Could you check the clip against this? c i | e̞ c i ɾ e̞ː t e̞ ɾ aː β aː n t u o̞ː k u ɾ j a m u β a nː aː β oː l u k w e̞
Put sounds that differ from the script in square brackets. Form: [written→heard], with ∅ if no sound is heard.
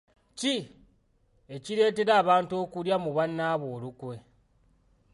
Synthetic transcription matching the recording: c i | e̞ c i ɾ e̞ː t e̞ ɾ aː β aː n t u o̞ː k u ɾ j a m u β a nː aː β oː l u k w e̞